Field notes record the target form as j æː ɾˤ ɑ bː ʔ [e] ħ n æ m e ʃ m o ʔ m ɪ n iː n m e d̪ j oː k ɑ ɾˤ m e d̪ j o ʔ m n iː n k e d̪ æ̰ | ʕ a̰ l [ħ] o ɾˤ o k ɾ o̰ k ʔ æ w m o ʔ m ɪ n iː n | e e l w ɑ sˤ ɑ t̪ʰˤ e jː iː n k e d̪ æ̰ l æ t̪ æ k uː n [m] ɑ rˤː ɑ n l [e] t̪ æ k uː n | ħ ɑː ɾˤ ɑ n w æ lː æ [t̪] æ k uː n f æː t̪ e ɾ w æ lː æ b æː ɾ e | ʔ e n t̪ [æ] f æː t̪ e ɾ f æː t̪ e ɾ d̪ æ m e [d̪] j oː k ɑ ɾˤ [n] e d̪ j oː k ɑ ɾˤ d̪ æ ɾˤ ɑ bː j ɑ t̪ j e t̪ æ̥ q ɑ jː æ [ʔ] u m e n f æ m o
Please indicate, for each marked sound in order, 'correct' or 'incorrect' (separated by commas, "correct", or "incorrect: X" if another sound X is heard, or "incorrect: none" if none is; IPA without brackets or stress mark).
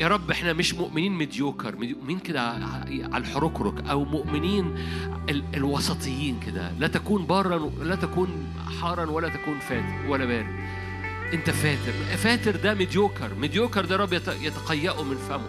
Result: correct, correct, incorrect: b, incorrect: æ, correct, correct, correct, incorrect: m, correct